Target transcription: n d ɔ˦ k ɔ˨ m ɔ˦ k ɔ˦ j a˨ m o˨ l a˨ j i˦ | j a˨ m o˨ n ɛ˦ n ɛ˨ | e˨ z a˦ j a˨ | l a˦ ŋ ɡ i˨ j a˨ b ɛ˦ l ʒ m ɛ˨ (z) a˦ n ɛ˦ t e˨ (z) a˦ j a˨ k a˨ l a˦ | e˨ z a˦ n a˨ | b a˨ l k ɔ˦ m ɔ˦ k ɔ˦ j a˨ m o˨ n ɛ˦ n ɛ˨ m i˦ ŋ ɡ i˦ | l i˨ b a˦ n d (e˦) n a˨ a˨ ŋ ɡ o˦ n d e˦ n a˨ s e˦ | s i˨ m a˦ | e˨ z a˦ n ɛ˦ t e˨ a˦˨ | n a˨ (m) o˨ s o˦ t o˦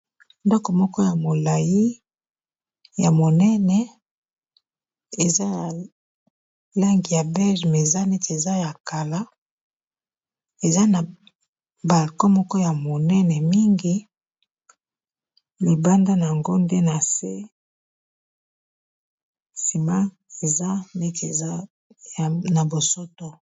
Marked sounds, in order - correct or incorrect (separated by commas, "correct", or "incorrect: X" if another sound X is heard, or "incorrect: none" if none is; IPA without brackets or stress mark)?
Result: correct, correct, incorrect: a˦, incorrect: b